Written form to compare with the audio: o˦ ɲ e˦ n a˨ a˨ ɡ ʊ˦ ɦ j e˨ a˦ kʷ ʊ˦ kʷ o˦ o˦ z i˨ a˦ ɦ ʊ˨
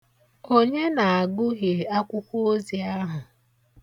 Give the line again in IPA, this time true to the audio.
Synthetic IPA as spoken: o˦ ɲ e˦ n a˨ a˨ ɡ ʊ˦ ɦ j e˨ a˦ kʷ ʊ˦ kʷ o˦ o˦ z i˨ a˦ ɦ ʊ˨